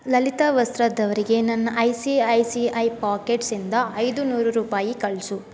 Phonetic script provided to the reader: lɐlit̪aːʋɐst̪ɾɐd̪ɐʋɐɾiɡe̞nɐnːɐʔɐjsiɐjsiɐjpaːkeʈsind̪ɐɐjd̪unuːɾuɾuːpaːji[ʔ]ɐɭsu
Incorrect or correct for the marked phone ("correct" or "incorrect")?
incorrect